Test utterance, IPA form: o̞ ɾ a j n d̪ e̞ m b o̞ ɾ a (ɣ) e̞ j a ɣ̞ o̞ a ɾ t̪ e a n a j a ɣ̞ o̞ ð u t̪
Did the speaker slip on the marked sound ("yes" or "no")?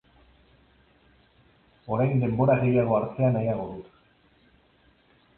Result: no